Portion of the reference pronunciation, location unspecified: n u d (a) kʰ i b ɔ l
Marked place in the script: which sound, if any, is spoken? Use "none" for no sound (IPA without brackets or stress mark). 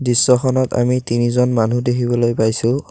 e